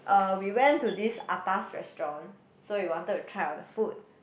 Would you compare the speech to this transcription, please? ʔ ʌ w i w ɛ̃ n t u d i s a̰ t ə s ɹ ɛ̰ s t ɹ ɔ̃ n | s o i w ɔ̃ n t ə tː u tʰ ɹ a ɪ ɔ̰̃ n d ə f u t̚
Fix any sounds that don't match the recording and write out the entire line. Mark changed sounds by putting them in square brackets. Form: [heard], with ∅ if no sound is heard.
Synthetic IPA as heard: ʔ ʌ w i w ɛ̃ n t u d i s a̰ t [a] s ɹ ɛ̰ s t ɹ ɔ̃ n | s o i w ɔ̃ n t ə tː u tʰ ɹ a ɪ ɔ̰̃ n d ə f u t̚